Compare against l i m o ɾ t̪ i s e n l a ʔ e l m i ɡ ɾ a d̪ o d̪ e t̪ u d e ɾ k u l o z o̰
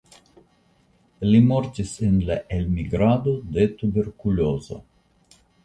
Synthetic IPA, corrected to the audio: l i m o ɾ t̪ i s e n l a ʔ e l m i ɡ ɾ a d̪ o d̪ e t̪ u b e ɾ k u l o z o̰